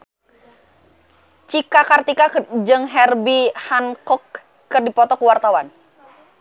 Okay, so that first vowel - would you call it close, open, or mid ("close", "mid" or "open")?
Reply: close